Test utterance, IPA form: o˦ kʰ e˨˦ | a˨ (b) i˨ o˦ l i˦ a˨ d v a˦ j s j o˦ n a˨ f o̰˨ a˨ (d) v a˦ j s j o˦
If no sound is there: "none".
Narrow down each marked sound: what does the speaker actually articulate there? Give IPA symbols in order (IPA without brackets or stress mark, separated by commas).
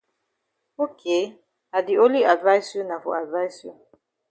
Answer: d, d